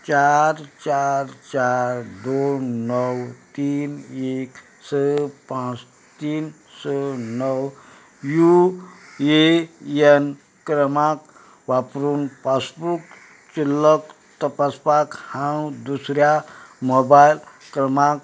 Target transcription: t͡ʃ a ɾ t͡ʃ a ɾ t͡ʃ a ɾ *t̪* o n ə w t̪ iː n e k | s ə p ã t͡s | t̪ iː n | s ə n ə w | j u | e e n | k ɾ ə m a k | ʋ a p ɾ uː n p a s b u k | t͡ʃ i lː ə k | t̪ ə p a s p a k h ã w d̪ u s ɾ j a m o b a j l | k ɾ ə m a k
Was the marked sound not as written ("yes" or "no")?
yes